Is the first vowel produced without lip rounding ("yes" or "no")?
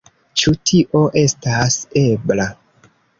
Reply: no